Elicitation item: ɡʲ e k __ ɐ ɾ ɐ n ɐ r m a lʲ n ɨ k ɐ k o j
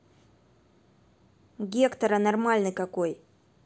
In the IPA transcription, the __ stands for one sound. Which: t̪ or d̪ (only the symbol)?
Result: t̪